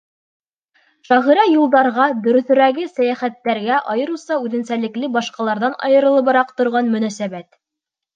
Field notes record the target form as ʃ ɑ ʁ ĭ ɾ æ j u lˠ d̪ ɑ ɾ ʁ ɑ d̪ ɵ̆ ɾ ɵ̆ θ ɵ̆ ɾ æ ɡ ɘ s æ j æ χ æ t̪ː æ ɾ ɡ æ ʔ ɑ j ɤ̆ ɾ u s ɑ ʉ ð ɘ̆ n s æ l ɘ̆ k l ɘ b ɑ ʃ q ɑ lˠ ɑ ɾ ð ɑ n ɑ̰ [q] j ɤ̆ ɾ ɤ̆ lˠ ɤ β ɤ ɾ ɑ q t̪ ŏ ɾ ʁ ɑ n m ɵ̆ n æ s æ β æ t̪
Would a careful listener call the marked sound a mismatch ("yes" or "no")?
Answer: yes